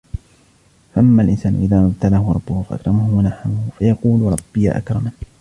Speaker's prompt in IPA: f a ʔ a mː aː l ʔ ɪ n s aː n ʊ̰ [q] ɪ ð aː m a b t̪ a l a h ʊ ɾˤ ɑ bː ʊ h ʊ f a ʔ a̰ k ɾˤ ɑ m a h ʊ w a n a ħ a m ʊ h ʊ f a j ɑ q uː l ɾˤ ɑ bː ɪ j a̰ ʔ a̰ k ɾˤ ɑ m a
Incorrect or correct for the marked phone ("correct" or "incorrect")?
incorrect